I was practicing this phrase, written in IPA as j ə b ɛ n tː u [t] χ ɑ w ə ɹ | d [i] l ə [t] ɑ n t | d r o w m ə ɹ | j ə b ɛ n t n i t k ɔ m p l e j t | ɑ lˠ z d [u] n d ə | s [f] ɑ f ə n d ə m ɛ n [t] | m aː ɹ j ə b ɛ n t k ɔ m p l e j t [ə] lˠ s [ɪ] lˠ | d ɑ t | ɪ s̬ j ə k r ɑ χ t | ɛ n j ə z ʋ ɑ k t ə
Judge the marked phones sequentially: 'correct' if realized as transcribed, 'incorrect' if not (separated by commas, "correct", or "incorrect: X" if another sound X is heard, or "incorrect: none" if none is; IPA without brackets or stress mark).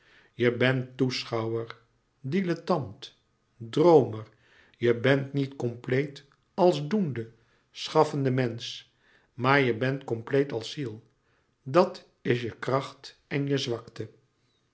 incorrect: s, correct, correct, correct, incorrect: χ, incorrect: s, incorrect: ɑ, incorrect: i